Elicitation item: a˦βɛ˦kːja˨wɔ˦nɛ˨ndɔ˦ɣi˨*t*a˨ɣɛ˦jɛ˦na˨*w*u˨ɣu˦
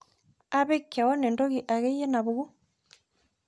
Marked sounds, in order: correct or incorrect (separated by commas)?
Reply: incorrect, incorrect